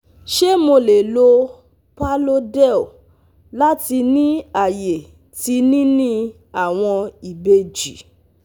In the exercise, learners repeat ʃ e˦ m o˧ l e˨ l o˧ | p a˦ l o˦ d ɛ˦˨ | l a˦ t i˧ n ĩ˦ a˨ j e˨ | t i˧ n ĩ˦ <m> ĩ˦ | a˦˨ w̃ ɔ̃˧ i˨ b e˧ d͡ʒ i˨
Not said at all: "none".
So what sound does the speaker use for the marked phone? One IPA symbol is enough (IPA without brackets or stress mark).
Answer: n